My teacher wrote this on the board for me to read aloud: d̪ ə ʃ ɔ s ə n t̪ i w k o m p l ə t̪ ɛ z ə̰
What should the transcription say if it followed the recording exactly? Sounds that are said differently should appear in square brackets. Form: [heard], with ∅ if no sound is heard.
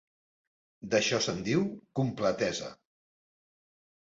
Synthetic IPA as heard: d̪ ə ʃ ɔ s ə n [d̪] i w k [u] m p l ə t̪ ɛ z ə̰